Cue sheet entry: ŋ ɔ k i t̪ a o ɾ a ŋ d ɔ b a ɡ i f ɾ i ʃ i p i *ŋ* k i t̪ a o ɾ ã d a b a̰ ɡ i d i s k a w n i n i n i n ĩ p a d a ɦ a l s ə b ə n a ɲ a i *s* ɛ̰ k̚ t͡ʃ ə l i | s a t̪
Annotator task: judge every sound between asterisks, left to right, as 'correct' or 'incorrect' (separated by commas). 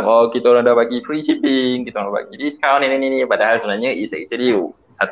correct, correct